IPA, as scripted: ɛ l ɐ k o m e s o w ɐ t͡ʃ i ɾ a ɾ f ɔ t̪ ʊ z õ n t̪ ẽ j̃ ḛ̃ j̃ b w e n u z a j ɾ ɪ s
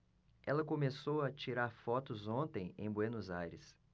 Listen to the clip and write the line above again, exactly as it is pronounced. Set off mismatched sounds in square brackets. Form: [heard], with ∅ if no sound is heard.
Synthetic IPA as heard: ɛ l ɐ k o m e s o w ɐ t͡ʃ i ɾ a ɾ f ɔ t̪ ʊ z õ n t̪ ẽ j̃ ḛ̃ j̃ b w e n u z a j ɾ ɪ s